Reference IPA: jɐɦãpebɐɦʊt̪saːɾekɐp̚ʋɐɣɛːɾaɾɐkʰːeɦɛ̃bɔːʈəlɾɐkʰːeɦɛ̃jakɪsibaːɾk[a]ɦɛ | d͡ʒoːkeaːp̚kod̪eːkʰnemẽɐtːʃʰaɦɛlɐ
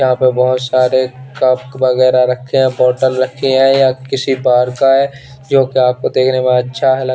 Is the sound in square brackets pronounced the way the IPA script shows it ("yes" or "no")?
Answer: yes